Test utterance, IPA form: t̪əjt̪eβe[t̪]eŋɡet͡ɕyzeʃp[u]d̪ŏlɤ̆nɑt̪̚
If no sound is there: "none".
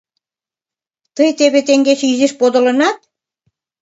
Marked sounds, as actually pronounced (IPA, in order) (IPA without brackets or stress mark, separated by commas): t̪, o